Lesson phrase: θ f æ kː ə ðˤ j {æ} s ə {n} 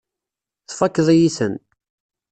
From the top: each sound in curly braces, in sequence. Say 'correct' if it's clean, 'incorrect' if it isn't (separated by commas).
incorrect, correct